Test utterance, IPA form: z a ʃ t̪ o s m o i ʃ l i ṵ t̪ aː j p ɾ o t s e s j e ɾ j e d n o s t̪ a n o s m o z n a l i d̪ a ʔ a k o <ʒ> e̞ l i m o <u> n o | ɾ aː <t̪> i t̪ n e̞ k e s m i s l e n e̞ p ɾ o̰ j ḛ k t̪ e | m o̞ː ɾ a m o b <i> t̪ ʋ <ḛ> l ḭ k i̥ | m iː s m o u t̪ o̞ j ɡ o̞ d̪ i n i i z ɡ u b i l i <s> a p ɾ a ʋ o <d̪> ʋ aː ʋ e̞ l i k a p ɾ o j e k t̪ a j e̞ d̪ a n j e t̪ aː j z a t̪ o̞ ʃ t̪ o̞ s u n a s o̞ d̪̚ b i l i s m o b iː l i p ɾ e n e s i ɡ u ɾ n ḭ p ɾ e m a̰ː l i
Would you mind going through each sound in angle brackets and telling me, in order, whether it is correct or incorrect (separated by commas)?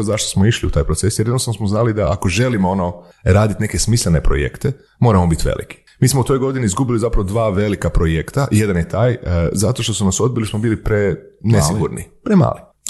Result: correct, incorrect, incorrect, correct, correct, incorrect, correct